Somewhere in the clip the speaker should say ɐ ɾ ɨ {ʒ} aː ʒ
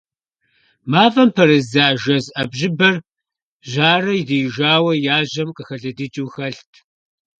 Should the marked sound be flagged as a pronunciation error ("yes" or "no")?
yes